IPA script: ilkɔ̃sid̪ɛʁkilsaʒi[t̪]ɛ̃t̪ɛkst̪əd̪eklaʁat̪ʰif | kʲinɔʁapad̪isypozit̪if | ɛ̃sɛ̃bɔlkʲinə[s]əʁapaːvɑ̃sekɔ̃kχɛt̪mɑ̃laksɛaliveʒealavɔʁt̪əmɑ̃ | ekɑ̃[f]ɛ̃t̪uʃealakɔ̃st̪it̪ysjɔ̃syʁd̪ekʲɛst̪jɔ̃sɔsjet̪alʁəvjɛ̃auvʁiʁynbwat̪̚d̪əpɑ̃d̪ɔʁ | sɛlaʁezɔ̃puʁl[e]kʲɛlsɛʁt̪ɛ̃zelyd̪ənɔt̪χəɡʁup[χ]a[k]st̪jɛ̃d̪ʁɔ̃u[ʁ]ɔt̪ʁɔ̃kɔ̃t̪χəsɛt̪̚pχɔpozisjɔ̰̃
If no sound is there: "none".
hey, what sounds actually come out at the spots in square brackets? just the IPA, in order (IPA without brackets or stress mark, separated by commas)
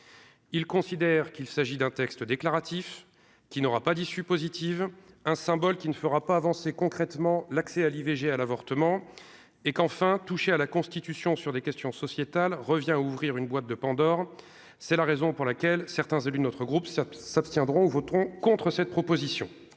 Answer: d̪, f, f, a, s, p, v